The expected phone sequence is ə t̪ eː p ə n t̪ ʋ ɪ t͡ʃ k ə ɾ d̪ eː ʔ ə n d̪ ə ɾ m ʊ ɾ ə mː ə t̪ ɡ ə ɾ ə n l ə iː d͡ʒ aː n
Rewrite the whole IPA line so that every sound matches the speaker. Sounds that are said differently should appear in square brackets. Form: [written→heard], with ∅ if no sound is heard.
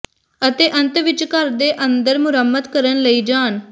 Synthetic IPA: ə t̪ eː [p→ʔ] ə n t̪ ʋ ɪ t͡ʃ k ə ɾ d̪ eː ʔ ə n d̪ ə ɾ m ʊ ɾ ə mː ə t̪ [ɡ→k] ə ɾ ə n l ə iː d͡ʒ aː n